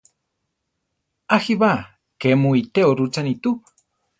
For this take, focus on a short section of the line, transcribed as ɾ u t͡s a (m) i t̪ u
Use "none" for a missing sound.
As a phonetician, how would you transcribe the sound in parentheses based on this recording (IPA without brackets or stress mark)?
n